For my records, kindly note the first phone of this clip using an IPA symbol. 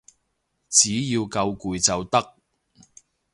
t͡s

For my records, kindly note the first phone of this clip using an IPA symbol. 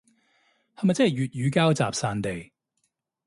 h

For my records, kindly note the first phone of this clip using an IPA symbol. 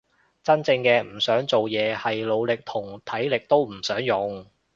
t͡s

